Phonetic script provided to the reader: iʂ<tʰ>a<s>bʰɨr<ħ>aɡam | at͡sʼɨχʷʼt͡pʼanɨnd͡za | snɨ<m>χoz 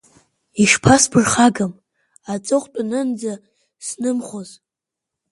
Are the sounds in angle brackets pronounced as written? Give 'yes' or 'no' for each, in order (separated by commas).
no, yes, no, yes